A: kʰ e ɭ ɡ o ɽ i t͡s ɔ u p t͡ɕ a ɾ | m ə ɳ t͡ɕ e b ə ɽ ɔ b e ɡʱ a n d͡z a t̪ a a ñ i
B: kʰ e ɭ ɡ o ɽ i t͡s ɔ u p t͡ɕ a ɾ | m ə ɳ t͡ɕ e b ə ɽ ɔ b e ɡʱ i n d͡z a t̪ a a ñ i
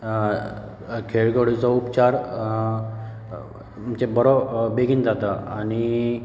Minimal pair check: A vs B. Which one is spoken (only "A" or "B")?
B